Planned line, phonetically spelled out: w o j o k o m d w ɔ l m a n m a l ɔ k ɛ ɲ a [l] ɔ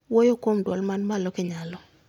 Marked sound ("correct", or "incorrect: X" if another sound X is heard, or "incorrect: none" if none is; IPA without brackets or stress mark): correct